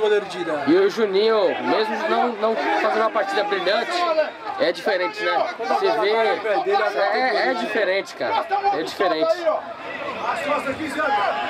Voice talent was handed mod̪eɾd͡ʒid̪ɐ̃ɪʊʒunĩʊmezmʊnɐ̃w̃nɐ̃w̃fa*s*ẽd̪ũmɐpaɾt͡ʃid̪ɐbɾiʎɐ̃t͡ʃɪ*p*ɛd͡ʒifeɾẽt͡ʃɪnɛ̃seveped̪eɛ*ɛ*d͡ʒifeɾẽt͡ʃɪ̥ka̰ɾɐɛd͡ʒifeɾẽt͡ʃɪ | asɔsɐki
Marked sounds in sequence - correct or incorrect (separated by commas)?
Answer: incorrect, incorrect, correct